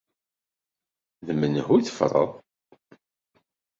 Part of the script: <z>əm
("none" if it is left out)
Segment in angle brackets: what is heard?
ð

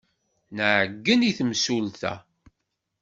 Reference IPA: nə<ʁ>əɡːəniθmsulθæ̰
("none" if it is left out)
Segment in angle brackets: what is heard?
ʕ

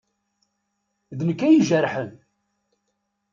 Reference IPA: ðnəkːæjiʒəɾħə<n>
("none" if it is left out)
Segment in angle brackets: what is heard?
n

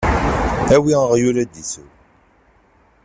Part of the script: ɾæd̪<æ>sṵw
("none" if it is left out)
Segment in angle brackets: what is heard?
i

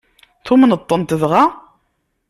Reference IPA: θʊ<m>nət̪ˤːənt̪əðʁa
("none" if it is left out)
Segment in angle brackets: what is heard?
m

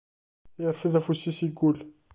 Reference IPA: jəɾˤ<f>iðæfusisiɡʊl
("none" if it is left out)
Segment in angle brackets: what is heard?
f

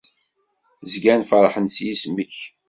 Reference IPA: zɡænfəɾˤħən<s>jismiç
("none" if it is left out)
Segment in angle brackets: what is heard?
s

